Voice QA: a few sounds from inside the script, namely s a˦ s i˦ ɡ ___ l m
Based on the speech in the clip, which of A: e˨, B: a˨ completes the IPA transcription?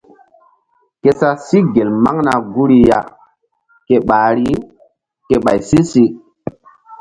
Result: A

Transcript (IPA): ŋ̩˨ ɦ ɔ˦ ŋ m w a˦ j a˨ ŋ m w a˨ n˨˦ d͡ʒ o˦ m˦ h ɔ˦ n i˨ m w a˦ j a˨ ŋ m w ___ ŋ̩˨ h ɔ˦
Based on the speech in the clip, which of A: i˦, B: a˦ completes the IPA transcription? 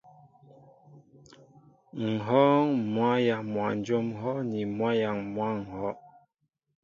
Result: B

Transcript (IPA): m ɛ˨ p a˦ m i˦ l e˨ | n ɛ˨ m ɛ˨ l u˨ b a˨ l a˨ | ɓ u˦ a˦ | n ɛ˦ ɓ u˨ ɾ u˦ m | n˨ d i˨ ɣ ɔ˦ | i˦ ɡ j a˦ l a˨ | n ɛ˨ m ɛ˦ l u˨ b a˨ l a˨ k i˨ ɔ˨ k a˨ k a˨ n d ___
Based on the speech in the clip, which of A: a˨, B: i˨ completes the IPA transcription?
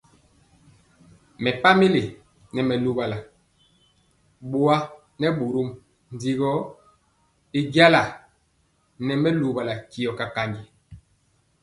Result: B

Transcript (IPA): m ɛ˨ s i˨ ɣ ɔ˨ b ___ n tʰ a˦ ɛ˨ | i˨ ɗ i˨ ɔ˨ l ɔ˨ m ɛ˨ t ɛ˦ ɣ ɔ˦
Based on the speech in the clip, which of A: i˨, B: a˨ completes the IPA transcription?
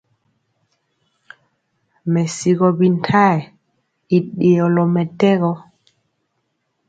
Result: A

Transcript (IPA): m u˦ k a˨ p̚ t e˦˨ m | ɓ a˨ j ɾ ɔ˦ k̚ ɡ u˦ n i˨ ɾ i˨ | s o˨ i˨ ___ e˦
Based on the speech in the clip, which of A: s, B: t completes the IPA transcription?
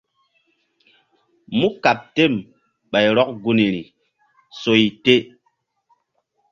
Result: B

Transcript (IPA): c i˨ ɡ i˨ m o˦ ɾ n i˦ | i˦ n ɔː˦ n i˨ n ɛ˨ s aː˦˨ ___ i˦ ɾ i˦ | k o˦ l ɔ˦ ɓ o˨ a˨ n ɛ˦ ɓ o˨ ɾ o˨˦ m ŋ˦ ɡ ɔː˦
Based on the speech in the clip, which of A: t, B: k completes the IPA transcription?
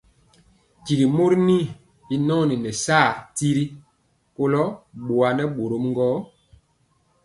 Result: A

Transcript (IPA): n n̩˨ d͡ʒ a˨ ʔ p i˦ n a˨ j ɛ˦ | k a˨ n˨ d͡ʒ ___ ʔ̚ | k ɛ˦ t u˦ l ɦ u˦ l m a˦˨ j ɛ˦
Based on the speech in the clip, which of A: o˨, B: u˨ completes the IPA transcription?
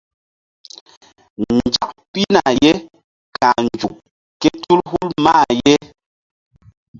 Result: B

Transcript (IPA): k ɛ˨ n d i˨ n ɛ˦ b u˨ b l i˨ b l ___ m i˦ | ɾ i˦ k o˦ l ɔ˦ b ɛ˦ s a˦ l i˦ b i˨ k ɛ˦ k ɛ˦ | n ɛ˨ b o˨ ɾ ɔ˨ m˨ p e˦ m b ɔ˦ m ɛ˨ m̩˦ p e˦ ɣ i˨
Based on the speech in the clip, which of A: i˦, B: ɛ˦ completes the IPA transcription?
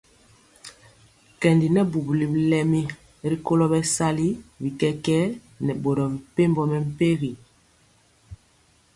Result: B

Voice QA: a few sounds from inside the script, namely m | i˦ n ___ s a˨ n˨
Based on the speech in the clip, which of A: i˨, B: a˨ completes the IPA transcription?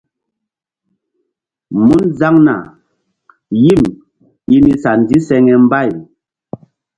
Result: A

